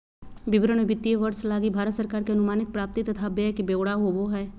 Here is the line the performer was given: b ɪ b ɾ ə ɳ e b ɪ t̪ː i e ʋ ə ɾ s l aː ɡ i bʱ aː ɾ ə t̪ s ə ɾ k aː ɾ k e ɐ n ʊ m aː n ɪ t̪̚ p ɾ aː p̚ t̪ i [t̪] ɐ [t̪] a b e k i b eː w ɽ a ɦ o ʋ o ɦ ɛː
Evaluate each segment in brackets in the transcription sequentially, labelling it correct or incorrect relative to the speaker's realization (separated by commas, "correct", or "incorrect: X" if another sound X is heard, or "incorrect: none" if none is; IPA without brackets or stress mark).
correct, incorrect: t̪ʰ